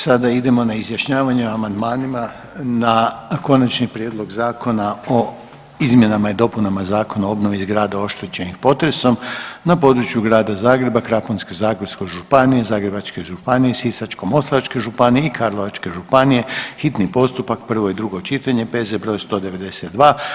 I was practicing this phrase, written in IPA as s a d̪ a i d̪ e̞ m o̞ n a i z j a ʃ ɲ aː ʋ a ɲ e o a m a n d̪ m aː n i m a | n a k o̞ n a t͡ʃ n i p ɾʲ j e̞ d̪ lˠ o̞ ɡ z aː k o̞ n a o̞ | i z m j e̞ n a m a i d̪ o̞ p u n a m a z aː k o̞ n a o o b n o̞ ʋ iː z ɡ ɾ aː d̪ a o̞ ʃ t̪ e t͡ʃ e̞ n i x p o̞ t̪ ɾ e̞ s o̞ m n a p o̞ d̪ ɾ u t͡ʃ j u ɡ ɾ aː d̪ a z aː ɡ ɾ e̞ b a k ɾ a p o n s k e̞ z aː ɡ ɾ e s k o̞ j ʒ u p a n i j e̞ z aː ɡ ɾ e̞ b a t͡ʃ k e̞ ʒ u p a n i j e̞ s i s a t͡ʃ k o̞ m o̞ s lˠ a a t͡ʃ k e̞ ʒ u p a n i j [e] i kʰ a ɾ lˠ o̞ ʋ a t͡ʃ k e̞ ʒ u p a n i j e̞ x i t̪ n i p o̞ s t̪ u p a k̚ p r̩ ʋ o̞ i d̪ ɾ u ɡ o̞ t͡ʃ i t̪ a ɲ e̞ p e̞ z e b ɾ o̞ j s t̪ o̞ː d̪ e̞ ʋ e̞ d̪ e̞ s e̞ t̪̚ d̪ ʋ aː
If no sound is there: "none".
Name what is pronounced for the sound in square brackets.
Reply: e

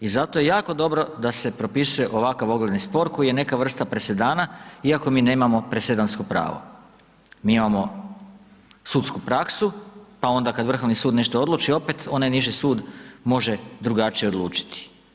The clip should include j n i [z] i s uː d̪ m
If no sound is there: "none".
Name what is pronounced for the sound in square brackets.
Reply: ʒ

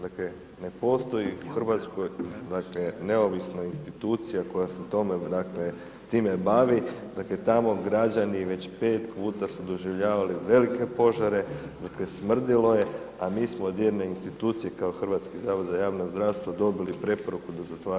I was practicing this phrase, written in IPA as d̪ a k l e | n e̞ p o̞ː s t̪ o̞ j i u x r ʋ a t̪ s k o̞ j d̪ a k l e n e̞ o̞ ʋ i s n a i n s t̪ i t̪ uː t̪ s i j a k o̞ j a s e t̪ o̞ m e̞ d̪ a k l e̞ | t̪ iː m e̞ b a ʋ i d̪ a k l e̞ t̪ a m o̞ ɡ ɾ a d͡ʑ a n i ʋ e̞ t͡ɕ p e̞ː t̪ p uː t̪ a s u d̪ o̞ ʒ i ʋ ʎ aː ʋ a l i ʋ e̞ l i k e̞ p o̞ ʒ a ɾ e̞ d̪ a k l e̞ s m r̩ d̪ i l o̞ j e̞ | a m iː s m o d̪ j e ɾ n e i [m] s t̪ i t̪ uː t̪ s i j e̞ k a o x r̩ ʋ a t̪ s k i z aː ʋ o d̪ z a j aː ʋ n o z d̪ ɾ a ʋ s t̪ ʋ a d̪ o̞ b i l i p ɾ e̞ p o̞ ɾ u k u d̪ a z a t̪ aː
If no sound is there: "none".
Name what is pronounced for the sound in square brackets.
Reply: n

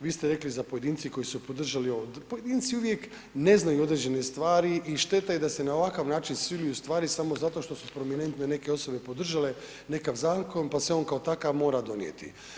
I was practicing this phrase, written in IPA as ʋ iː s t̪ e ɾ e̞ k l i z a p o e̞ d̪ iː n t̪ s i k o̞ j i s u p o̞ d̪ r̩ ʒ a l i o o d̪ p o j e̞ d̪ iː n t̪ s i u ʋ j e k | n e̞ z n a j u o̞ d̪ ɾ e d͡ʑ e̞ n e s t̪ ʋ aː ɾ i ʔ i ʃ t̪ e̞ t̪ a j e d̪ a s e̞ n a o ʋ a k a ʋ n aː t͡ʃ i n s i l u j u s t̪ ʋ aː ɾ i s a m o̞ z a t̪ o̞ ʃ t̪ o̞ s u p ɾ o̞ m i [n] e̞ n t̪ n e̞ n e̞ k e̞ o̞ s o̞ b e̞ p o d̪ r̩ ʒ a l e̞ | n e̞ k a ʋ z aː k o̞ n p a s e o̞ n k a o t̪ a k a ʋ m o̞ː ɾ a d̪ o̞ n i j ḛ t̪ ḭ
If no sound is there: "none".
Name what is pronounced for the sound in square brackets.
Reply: n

